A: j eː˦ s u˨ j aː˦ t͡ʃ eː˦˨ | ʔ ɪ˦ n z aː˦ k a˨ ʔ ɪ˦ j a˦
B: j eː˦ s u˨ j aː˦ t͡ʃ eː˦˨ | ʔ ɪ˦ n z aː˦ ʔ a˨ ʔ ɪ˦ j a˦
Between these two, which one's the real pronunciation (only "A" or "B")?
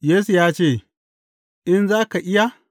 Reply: A